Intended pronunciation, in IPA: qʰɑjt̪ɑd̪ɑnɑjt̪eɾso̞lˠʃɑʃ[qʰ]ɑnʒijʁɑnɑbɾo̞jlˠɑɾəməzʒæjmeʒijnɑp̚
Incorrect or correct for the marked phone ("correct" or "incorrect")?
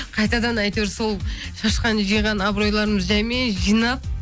incorrect